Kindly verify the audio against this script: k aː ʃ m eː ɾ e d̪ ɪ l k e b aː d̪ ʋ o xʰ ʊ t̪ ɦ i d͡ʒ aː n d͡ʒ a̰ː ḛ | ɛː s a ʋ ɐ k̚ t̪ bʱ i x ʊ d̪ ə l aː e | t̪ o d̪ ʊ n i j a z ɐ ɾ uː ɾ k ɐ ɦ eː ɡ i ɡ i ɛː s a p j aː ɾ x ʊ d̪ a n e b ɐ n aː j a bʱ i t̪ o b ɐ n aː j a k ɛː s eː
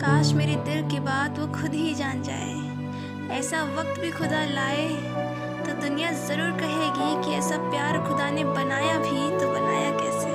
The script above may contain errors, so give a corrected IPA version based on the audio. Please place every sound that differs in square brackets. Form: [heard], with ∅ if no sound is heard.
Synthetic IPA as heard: k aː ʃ m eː ɾ e d̪ ɪ l k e b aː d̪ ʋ o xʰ ʊ [d̪] ɦ i d͡ʒ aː n d͡ʒ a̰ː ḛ | ɛː s a ʋ ɐ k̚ t̪ bʱ i x ʊ d̪ [a] l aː e | t̪ o d̪ ʊ n i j a z ɐ ɾ uː ɾ k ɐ ɦ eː ɡ i [k] i ɛː s a p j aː ɾ x ʊ d̪ a n e b ɐ n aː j a bʱ i t̪ o b ɐ n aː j a k ɛː s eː